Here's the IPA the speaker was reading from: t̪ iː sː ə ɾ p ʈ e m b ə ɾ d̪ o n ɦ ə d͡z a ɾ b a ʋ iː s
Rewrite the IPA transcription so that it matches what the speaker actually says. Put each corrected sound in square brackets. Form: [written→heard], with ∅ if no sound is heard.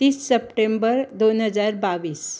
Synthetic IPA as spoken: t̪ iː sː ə [ɾ→∅] p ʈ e m b ə ɾ d̪ o n ɦ ə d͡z a ɾ b a ʋ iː s